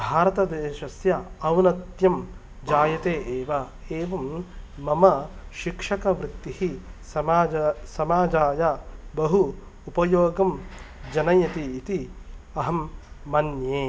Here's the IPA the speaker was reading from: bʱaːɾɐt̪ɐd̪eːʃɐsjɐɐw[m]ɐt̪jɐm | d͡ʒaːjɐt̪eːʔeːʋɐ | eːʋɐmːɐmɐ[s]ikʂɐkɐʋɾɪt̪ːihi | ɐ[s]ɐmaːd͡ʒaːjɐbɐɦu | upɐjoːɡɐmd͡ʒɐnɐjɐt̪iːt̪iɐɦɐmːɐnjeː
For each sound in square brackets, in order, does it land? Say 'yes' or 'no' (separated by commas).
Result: no, no, yes